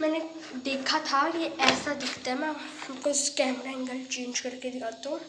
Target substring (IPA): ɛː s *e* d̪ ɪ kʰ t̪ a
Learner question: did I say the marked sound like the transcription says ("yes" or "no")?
no